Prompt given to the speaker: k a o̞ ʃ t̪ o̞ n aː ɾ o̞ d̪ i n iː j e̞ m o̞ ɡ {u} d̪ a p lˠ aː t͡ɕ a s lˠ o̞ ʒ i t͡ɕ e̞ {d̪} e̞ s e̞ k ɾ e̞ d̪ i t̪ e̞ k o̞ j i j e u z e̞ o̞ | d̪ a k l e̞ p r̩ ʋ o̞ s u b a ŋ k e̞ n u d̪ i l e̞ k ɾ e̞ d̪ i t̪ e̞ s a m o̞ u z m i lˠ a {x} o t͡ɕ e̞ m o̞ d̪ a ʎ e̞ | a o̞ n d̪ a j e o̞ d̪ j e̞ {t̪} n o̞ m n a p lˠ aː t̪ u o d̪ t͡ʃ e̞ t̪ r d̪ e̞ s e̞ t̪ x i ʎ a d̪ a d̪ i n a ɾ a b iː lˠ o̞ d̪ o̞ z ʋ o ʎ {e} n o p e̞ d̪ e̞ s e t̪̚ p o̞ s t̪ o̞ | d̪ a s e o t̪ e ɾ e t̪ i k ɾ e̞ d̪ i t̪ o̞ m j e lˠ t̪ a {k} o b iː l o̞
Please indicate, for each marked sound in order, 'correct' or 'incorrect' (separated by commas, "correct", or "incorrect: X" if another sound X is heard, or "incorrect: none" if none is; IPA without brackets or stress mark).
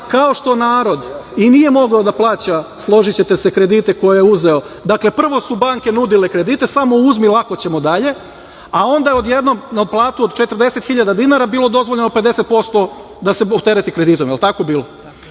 incorrect: o, incorrect: t̪, incorrect: k, incorrect: d̪, correct, correct